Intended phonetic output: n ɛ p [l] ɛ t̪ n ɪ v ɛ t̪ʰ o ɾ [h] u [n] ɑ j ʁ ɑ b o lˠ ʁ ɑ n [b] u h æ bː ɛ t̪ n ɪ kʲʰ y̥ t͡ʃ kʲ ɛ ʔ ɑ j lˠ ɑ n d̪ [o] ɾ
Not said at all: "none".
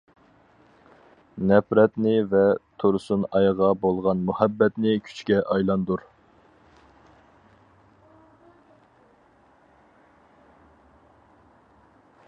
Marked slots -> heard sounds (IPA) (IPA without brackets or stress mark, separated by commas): ɾ, s, n, m, u